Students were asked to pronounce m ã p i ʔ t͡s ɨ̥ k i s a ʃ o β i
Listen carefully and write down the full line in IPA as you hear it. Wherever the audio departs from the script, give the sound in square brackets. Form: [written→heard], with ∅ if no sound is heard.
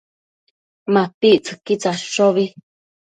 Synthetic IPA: m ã p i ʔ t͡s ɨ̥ k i [s→t͡s] a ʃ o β i